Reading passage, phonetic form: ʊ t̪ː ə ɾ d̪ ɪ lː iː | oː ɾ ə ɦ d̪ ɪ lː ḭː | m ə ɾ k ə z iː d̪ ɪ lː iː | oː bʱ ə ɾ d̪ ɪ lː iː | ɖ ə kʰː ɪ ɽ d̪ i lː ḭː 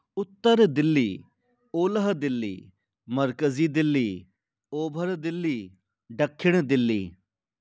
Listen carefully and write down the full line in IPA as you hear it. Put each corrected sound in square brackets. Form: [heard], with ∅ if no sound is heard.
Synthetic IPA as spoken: ʊ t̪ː ə ɾ d̪ ɪ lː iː | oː [l] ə ɦ d̪ ɪ lː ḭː | m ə ɾ k ə z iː d̪ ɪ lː iː | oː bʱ ə ɾ d̪ ɪ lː iː | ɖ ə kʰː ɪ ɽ d̪ [ɪ] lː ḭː